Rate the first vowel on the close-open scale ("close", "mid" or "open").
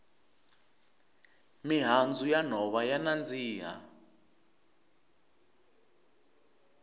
close